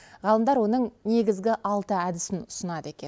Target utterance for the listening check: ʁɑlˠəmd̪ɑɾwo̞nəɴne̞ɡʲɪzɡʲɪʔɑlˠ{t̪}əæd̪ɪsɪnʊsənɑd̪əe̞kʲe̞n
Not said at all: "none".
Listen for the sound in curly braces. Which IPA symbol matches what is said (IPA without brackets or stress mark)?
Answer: t̪